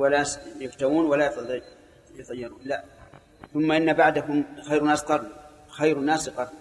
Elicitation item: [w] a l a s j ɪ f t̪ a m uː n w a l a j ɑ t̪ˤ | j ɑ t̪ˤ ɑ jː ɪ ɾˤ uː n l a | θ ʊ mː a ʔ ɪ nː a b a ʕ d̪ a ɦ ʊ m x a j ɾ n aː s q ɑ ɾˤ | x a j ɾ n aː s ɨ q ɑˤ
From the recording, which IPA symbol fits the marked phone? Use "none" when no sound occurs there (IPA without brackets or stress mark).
w